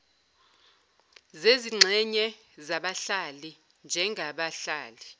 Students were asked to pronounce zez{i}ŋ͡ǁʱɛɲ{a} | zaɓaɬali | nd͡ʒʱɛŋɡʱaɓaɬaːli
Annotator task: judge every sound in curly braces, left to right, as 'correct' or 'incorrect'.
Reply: correct, incorrect

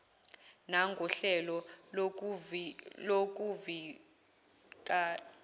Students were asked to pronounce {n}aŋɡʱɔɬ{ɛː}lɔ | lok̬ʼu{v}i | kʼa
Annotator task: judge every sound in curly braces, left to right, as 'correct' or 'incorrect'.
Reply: correct, incorrect, correct

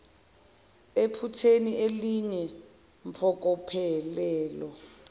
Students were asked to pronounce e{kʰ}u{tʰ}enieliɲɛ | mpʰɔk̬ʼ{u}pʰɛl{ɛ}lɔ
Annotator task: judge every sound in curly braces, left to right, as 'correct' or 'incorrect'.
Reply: incorrect, correct, incorrect, incorrect

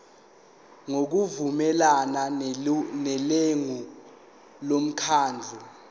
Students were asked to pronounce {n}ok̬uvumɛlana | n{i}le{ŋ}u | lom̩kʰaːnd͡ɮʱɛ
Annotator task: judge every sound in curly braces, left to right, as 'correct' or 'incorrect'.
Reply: incorrect, incorrect, correct

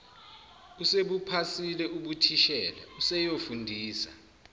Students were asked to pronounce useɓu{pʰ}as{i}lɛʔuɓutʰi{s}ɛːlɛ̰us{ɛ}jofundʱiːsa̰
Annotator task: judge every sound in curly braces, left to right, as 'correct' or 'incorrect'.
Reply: correct, correct, incorrect, correct

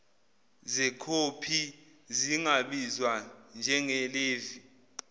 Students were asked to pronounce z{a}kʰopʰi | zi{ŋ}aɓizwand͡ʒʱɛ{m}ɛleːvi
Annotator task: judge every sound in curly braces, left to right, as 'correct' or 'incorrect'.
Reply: incorrect, correct, incorrect

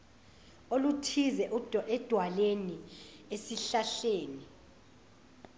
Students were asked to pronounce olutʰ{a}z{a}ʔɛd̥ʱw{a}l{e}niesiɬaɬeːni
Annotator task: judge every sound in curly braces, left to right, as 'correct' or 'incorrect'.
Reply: incorrect, incorrect, correct, correct

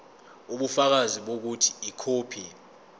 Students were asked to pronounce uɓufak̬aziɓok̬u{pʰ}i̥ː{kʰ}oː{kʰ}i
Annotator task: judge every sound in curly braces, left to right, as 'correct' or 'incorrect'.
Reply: incorrect, correct, incorrect

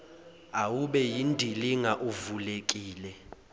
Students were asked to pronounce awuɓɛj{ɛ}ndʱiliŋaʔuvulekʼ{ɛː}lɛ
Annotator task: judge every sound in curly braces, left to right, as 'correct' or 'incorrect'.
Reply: incorrect, incorrect

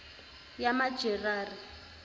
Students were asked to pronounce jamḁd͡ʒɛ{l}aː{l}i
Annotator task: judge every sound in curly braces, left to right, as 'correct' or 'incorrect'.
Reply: incorrect, incorrect

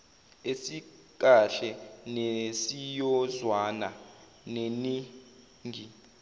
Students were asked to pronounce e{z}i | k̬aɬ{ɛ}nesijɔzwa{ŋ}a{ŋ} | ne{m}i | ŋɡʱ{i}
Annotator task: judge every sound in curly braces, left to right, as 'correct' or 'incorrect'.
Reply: incorrect, correct, incorrect, incorrect, incorrect, correct

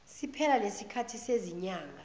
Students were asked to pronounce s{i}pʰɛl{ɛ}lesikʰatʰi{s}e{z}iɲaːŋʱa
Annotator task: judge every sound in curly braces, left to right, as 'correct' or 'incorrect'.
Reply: correct, incorrect, correct, correct

